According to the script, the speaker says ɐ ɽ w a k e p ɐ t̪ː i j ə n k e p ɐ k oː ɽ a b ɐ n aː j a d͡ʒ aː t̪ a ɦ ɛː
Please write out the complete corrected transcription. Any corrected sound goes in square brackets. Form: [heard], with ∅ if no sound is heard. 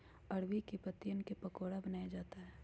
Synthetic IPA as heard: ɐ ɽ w [i] k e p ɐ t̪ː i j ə n k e p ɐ k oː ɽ a b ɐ n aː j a d͡ʒ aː t̪ a ɦ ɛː